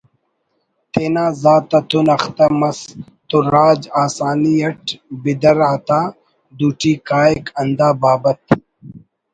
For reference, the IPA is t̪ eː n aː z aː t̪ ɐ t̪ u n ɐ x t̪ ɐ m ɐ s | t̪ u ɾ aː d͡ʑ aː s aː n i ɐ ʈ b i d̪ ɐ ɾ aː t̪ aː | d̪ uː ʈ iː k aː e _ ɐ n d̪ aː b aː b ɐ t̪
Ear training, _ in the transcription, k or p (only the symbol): k